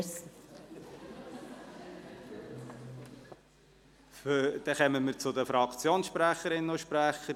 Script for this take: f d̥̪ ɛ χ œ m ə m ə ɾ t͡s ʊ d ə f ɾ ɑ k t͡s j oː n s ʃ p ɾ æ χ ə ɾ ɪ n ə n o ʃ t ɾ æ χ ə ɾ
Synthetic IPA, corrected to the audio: f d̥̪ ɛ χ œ m ə m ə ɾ t͡s ʊ d ə f ɾ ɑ k t͡s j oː n s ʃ p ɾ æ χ ə ɾ ɪ n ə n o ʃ p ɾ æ χ ə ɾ